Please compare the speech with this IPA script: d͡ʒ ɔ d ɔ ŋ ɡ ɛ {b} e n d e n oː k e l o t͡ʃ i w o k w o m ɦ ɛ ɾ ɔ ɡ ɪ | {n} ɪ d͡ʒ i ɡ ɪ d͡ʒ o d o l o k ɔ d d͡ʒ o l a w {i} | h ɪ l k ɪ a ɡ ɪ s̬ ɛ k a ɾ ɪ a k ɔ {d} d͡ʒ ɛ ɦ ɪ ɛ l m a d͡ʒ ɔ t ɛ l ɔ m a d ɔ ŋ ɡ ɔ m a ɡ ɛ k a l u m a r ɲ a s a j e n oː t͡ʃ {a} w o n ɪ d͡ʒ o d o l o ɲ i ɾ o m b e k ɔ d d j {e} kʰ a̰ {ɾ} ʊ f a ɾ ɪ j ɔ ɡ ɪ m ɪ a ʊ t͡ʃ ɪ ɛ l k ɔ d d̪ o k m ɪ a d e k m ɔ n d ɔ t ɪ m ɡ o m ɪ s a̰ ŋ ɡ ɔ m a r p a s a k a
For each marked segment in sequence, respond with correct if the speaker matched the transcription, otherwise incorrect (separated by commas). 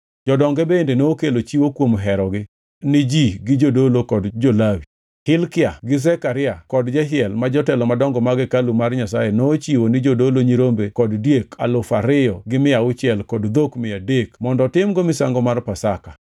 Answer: correct, correct, correct, correct, incorrect, correct, incorrect